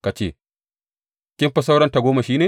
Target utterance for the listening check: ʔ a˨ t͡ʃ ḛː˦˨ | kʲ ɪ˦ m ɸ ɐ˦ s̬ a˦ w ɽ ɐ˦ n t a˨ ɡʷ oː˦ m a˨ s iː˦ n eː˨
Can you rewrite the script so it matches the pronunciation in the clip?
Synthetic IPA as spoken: k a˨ t͡ʃ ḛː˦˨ | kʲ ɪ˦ m ɸ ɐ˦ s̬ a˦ w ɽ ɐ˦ n t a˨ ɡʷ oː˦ m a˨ ʃ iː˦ n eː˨